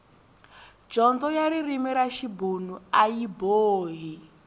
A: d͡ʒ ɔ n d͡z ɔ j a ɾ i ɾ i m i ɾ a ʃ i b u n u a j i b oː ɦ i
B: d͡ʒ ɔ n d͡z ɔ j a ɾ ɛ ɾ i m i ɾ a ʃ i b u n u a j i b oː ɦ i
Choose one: A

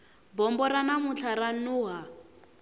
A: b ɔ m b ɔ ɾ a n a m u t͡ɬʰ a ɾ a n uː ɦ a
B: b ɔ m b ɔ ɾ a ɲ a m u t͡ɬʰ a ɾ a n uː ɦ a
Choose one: A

